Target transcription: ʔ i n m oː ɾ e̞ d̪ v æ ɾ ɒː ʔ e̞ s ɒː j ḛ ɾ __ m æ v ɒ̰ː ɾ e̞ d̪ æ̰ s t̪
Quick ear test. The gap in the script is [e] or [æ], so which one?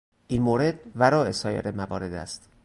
e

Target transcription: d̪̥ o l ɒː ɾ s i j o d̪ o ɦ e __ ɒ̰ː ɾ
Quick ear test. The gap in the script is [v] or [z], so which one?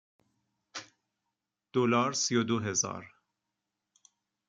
z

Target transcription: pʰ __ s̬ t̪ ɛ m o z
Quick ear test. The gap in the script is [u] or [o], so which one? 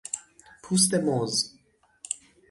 u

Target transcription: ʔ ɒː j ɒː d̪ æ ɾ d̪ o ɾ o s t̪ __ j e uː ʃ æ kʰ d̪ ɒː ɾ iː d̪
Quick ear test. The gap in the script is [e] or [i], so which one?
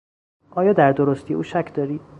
i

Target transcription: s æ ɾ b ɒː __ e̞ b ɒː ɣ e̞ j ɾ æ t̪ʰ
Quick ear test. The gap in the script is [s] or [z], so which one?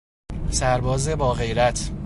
z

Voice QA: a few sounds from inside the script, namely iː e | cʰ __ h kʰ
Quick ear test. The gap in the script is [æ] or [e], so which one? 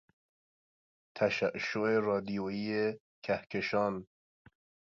æ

